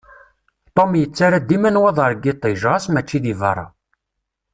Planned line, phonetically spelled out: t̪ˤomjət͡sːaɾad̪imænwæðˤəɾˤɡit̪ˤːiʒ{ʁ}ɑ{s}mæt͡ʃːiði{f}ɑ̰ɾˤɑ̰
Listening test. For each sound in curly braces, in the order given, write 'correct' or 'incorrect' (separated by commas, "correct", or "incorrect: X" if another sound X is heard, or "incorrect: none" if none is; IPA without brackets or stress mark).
correct, correct, incorrect: v